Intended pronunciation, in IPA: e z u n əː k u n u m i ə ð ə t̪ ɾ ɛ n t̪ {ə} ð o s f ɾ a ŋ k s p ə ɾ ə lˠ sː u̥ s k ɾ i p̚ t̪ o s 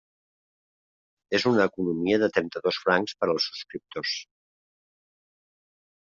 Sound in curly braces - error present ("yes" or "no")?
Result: no